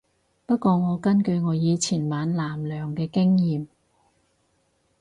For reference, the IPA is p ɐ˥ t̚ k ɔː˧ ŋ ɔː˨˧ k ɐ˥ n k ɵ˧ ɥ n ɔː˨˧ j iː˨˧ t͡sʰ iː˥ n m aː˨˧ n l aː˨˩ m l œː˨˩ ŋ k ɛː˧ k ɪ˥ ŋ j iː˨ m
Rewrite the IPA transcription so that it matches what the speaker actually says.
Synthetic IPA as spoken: p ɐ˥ t̚ k ɔː˧ ŋ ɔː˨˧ k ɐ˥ n k ɵ˧ ɥ ŋ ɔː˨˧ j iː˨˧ t͡sʰ iː˨˩ n m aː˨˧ n l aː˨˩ m l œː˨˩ ŋ k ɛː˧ k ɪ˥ ŋ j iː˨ m